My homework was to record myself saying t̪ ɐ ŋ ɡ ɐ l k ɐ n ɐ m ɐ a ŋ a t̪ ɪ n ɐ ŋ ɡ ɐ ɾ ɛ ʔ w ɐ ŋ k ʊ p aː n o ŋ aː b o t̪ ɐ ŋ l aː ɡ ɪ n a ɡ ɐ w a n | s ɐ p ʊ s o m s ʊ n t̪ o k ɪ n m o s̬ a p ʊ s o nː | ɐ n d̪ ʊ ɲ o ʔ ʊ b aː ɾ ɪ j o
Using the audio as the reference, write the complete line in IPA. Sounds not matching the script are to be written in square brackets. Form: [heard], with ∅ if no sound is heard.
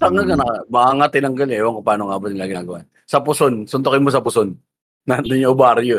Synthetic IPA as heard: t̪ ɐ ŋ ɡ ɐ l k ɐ n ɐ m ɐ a ŋ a t̪ ɪ n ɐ ŋ ɡ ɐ [l] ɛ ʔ w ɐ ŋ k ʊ p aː n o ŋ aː b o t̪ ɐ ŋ l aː ɡ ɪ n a ɡ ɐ w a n | s ɐ p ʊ s o [n] s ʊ n t̪ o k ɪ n m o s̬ [ɐ] p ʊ s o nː | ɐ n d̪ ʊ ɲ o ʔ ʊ b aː ɾ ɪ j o